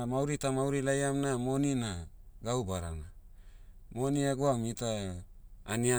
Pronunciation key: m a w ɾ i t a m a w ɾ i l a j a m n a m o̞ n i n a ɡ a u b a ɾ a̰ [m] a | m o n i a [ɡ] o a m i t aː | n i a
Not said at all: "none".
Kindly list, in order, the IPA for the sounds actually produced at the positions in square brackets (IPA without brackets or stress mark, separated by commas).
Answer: n, ɡ